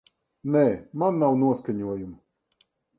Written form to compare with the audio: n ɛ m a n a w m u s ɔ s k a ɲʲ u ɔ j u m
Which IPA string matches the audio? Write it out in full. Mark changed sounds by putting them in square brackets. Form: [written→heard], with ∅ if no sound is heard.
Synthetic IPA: n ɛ m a [n→nː] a w [m→n] u [s→∅] ɔ s k a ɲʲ u ɔ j u m